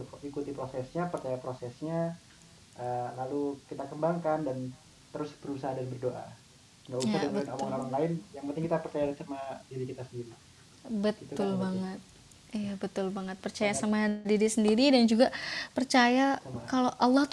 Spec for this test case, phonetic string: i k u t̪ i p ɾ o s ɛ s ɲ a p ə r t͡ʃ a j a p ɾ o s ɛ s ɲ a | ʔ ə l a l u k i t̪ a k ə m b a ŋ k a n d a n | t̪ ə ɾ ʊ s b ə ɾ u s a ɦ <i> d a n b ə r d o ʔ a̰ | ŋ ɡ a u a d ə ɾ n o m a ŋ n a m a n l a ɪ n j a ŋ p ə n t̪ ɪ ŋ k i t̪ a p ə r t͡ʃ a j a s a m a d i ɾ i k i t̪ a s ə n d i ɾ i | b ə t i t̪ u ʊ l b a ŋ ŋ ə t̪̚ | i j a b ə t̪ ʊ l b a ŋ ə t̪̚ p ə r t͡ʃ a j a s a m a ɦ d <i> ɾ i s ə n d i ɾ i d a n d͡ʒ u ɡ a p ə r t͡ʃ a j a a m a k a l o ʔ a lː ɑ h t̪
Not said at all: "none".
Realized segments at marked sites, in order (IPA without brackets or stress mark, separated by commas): a, i